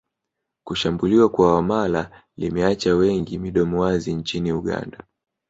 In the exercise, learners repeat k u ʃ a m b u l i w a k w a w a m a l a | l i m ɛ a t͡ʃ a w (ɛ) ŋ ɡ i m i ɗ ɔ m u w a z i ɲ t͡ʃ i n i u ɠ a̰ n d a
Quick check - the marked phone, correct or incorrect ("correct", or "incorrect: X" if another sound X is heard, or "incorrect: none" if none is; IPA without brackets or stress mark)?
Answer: correct